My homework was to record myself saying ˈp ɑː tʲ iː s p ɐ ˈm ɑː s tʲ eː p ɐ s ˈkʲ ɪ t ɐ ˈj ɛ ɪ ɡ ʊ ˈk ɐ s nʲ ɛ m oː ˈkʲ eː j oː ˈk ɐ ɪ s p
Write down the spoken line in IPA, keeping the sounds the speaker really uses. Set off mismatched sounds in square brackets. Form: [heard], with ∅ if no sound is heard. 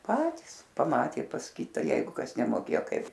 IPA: ˈp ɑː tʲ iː s p ɐ ˈm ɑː [∅] tʲ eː p ɐ s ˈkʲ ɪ t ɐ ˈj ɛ ɪ ɡ ʊ ˈk ɐ s nʲ ɛ m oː ˈkʲ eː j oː ˈk ɐ ɪ [∅] p